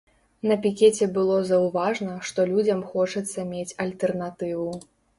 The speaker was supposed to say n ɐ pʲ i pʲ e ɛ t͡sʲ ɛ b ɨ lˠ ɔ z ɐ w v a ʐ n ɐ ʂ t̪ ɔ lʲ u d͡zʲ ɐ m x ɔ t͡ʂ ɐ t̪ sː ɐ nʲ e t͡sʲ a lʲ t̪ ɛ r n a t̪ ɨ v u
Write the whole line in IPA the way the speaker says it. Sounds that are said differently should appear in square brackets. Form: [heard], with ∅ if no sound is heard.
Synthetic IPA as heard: n ɐ pʲ i [kʲ] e ɛ t͡sʲ ɛ b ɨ lˠ ɔ z ɐ w v a ʐ n ɐ ʂ t̪ ɔ lʲ u d͡zʲ ɐ m x ɔ t͡ʂ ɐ t̪ sː ɐ [mʲ] e t͡sʲ [ɐ] lʲ t̪ ɛ r n a t̪ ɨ v u